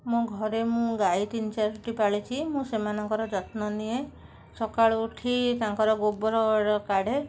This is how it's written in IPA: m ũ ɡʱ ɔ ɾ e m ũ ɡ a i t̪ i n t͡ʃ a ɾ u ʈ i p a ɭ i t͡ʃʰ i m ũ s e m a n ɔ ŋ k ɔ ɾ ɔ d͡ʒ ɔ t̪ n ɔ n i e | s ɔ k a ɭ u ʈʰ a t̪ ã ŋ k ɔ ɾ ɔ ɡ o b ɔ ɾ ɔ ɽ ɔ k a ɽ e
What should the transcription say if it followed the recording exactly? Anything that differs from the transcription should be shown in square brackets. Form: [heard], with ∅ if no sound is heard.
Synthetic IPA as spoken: m ũ ɡʱ ɔ ɾ e m ũ ɡ a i t̪ i n t͡ʃ a ɾ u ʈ i p a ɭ i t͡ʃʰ i m ũ s e m a n ɔ ŋ k ɔ ɾ ɔ d͡ʒ ɔ t̪ n ɔ n i e | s ɔ k a ɭ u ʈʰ [i] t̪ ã ŋ k ɔ ɾ ɔ ɡ o b ɔ ɾ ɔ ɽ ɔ k a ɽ e